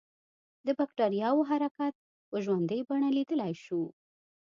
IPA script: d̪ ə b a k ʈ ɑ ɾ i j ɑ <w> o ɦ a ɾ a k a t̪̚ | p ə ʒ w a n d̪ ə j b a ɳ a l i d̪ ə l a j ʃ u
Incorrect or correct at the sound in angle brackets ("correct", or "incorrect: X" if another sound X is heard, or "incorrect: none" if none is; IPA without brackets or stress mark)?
correct